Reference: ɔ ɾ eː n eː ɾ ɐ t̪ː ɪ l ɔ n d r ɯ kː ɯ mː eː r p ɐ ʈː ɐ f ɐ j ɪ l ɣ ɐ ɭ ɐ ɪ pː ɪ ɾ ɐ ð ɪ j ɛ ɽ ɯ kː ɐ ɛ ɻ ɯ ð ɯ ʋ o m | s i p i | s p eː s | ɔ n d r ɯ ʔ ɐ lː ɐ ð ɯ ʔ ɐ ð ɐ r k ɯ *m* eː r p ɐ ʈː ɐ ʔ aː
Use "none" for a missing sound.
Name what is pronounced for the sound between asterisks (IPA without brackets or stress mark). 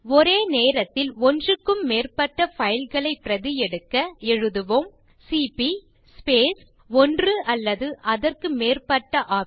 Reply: m